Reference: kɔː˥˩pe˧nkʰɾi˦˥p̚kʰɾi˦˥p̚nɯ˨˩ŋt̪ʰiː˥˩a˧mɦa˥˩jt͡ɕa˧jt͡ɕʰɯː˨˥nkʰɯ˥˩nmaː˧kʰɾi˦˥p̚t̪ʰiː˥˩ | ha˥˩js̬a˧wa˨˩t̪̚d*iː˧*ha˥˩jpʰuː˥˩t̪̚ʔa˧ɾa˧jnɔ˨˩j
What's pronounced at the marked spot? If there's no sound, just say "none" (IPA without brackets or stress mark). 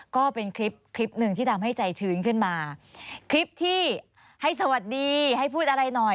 iː˧